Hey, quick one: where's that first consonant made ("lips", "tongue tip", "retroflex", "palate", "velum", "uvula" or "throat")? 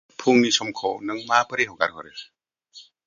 lips